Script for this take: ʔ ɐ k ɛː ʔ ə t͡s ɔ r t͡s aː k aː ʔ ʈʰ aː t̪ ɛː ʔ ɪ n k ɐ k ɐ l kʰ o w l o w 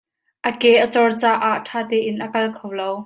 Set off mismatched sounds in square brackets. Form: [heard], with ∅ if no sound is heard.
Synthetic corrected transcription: ʔ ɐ k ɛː ʔ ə t͡s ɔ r t͡s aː [ʔ] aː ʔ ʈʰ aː t̪ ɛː ʔ ɪ n [ʔ] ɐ k ɐ l kʰ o w l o w